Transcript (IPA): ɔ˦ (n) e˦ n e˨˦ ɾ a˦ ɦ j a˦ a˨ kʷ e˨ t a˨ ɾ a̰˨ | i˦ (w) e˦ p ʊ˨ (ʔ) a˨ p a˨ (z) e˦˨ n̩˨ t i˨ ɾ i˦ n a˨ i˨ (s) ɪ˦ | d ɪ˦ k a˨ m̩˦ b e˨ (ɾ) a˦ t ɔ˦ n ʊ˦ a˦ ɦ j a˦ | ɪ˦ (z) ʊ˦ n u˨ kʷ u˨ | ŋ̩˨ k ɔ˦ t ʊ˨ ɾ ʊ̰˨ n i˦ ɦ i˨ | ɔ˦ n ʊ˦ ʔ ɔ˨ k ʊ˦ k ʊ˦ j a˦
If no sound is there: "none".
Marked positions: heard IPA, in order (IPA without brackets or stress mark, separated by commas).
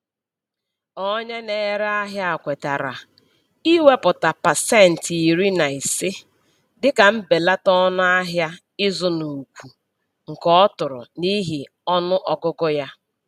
ɲ, w, t, s, s, l, z